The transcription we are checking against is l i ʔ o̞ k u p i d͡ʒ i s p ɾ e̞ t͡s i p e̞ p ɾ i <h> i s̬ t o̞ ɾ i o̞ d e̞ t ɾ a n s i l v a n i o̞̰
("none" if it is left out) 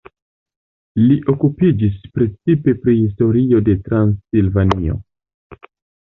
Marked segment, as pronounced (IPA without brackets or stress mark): h